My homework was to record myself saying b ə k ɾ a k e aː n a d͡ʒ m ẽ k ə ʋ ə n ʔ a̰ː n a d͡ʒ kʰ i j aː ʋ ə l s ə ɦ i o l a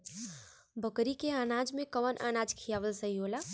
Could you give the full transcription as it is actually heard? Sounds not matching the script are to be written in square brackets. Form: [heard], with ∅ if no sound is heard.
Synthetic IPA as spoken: b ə k ɾ [i] k e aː n a d͡ʒ m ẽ k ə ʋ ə n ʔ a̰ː n a d͡ʒ kʰ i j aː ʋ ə l s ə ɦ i o l a

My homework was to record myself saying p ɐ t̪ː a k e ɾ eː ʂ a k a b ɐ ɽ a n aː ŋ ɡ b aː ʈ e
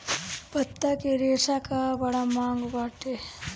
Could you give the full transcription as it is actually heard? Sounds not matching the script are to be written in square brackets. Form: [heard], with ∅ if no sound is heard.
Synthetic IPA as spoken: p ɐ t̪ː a k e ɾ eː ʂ a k a b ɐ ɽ a [m] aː ŋ ɡ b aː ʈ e

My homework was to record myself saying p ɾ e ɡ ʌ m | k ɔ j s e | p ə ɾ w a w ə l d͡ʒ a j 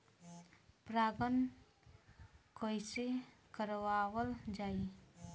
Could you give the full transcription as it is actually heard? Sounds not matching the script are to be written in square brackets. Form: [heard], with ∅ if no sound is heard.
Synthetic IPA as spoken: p ɾ [a] ɡ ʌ [n] | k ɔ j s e | [k] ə ɾ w a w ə l d͡ʒ a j

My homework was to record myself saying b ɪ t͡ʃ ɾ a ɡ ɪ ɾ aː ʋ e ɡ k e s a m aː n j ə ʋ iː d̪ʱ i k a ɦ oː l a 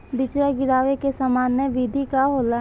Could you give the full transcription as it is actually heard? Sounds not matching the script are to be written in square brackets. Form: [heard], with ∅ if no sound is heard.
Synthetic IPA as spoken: b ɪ t͡ʃ ɾ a ɡ ɪ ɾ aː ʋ e [∅] k e s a m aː n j ə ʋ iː d̪ʱ i k a ɦ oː l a

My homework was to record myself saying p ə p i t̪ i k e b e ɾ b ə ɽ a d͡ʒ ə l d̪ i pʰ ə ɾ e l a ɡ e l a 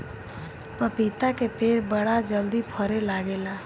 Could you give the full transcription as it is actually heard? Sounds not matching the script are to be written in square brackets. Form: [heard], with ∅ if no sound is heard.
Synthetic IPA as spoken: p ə p i t̪ [a] k e [p] e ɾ b ə ɽ a d͡ʒ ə l d̪ i pʰ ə ɾ e l a ɡ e l a

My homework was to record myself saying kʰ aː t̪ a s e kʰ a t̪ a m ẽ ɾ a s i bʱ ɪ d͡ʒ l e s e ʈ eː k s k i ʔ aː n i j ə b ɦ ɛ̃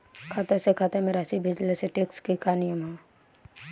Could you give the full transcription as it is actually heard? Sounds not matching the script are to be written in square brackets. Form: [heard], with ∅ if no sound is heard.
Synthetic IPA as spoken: kʰ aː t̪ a s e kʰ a t̪ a m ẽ ɾ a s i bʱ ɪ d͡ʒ l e s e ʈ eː k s k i [k] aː n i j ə [m] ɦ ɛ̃

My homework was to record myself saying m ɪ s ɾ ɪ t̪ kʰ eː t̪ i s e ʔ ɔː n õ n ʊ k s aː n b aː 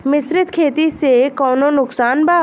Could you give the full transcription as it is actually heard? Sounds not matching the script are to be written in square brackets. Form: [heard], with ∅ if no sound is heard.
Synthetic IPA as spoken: m ɪ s ɾ ɪ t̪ kʰ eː t̪ i s e [k] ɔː n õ n ʊ k s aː n b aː

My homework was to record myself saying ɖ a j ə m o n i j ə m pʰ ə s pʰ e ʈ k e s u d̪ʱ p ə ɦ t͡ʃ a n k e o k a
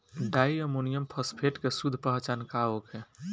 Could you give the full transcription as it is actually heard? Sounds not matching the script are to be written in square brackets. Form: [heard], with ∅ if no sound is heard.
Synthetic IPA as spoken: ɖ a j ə m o n i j ə m pʰ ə s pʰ e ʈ k e s u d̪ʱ p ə ɦ t͡ʃ a n k [a] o k [e]

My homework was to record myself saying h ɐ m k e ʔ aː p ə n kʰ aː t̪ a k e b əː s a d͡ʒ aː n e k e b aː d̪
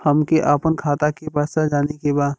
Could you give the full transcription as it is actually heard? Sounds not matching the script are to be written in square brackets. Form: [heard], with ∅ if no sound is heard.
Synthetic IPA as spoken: h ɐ m k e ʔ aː p ə n kʰ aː t̪ a k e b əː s a d͡ʒ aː n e k e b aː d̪

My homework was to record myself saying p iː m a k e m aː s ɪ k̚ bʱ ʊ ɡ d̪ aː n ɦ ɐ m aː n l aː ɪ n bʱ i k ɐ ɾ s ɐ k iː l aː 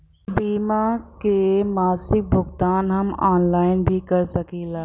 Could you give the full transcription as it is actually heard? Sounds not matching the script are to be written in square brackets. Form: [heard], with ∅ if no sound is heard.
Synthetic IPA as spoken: [b] iː m a k e m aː s ɪ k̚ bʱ ʊ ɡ [t̪] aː n ɦ ɐ m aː n l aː ɪ n bʱ i k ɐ ɾ s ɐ k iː l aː

